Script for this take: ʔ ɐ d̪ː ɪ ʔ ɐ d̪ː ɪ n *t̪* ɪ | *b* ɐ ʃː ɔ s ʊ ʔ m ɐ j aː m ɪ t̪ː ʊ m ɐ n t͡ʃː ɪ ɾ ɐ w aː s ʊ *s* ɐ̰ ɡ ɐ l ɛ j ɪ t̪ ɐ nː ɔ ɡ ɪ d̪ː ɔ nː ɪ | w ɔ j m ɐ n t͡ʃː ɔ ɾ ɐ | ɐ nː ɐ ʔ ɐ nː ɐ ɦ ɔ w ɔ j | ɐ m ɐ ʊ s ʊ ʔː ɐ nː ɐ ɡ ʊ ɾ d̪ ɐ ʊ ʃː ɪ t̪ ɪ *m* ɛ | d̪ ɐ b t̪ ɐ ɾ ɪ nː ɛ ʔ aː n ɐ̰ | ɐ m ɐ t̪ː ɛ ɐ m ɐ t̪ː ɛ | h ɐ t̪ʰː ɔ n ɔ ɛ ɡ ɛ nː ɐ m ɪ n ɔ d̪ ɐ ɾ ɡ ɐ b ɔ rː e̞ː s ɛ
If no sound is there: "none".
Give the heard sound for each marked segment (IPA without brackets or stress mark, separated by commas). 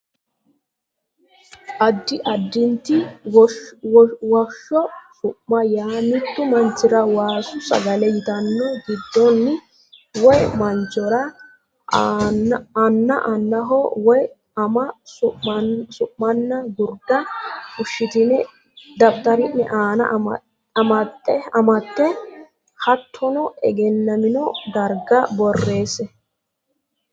t̪, w, s, n